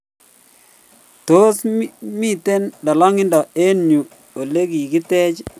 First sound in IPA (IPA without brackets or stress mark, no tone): t